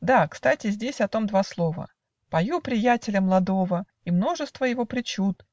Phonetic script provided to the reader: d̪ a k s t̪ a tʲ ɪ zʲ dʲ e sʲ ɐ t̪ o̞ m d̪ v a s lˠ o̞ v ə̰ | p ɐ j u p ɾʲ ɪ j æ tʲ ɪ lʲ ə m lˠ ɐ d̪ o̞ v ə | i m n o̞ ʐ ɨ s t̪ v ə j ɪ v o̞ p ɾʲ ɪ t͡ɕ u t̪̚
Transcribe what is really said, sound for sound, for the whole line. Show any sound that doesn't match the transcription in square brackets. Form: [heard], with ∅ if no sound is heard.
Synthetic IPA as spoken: d̪ a k s t̪ a tʲ ɪ zʲ dʲ e sʲ ɐ t̪ o̞ m d̪ v a s lˠ o̞ v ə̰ | p ɐ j u p ɾʲ ɪ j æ tʲ ɪ lʲ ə m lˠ ɐ d̪ o̞ v ə | i m n o̞ ʐ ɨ s t̪ v ə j ɪ v o̞ p ɾʲ ɪ t͡ɕ u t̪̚